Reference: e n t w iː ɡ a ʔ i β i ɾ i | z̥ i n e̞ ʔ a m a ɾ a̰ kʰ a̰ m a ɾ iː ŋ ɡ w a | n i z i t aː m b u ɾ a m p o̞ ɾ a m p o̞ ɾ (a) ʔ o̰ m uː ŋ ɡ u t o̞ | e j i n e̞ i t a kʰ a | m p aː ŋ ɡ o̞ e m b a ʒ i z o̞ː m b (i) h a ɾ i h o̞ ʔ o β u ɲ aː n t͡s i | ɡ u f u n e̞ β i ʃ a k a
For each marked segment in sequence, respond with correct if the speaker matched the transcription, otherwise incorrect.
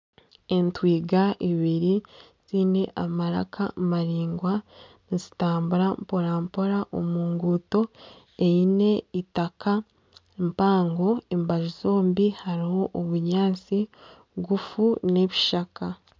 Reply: correct, correct

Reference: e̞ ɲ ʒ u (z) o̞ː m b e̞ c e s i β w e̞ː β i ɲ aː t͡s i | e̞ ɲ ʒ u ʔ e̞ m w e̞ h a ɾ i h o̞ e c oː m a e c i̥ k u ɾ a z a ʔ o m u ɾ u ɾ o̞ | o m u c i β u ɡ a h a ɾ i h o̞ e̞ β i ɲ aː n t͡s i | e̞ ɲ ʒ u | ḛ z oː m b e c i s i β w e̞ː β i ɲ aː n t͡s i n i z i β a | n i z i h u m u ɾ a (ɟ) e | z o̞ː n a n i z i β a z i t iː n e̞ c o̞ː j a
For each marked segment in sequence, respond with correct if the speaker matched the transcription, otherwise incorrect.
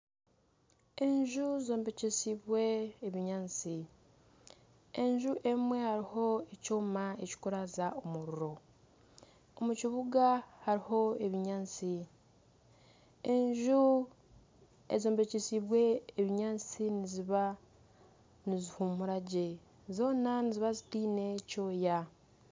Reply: correct, correct

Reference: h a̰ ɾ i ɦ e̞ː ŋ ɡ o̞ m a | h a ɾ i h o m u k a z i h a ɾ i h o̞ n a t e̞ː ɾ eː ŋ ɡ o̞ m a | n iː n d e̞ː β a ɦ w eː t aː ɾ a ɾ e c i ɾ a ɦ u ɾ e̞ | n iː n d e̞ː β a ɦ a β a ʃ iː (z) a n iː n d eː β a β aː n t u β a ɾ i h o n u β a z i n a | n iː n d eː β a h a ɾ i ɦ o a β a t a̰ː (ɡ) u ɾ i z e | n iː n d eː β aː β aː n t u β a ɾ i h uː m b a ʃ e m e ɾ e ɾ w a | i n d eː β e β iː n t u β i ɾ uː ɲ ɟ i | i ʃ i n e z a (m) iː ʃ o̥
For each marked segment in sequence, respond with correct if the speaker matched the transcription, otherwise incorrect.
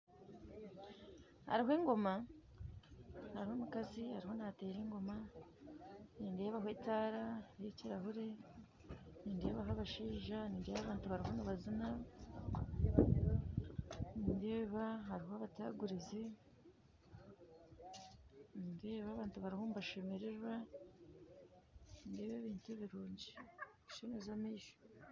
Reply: incorrect: ʒ, correct, correct

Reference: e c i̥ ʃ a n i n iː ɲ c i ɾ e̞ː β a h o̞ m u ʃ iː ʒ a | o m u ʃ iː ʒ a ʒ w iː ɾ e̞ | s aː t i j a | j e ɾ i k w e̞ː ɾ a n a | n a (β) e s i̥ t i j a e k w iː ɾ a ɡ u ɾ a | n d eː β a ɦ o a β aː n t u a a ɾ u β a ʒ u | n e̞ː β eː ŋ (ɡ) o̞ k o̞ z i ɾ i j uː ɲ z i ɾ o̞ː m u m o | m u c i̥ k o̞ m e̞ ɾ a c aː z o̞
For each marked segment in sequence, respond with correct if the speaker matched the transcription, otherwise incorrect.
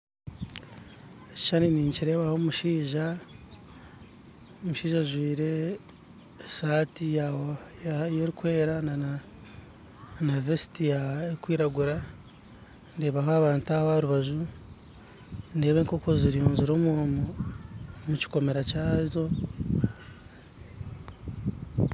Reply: incorrect: v, incorrect: k

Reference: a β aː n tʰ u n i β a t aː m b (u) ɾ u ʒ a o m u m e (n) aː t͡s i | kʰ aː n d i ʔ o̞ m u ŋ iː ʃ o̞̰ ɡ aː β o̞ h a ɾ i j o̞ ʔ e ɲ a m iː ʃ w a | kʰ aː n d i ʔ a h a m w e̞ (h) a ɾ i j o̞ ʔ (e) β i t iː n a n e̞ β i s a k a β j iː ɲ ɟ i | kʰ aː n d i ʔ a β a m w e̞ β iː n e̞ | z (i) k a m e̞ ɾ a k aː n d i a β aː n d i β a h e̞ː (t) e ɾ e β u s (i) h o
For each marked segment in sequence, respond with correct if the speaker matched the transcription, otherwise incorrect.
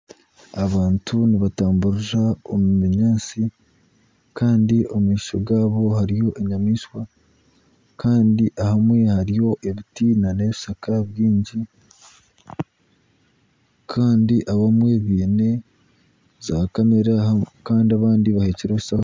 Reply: correct, incorrect: ɲ, correct, correct, incorrect: a, incorrect: c, incorrect: a

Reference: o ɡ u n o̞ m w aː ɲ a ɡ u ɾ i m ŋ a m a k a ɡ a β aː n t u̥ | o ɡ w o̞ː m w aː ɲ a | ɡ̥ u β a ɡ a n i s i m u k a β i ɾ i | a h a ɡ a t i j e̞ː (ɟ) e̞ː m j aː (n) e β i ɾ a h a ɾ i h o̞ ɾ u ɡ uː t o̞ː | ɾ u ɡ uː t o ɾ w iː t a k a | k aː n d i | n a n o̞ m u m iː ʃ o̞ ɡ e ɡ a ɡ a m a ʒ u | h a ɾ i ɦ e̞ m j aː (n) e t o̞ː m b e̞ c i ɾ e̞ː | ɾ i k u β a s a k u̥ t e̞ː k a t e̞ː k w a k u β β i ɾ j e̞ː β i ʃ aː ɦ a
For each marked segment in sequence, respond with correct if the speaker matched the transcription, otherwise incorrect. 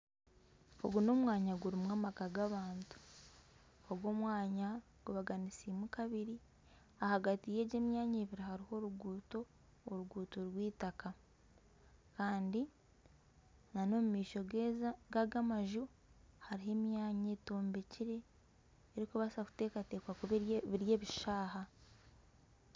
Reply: correct, incorrect: ɲ, incorrect: ɲ

